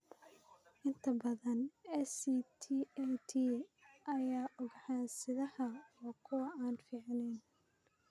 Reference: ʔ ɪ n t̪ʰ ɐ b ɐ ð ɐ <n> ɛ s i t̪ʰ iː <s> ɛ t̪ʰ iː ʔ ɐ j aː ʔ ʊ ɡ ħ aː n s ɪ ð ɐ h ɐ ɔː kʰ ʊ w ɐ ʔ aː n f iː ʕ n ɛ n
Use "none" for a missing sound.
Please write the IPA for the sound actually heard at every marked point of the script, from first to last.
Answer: n, none

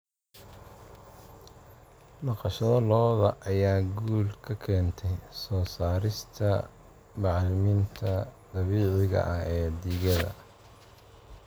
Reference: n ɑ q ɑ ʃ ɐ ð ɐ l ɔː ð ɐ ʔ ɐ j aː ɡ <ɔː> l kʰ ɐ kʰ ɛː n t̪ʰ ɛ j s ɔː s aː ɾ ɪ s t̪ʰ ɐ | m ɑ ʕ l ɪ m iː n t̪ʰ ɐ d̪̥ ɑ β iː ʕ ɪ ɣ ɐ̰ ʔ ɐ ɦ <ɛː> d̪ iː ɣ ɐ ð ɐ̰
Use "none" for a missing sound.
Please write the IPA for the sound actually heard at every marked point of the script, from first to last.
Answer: uː, ɛː

